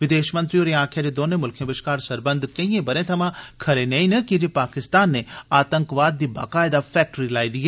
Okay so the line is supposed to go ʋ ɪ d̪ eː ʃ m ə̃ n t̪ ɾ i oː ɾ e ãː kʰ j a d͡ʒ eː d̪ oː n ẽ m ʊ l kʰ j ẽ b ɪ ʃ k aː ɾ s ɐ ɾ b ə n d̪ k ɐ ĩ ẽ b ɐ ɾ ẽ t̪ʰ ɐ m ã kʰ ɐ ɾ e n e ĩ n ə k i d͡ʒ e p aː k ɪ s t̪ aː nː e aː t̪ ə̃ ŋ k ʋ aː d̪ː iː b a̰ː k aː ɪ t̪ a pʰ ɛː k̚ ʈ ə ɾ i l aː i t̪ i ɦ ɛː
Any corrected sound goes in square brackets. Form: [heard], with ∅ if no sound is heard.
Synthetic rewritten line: ʋ ɪ d̪ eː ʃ m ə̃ n t̪ ɾ i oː ɾ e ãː kʰ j a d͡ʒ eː d̪ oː n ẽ m ʊ l kʰ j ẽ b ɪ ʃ k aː ɾ s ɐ ɾ b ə n d̪ k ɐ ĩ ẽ b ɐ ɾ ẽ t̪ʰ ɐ m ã kʰ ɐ ɾ e n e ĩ n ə k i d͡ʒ e p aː k ɪ s t̪ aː nː e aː t̪ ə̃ ŋ k ʋ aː d̪ː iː b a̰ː k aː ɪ [d̪] a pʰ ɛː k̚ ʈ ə ɾ i l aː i [d̪] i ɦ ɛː